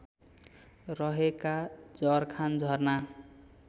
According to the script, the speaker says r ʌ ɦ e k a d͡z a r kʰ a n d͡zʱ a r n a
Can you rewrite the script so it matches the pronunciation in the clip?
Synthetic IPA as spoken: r ʌ ɦ e k a d͡z ʌ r kʰ a n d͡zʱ ʌ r n a